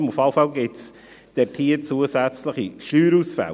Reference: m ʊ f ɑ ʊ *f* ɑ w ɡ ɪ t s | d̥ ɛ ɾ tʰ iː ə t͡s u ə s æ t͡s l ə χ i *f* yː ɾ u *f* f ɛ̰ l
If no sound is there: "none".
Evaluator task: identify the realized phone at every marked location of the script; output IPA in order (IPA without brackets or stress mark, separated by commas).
f, ʃ, s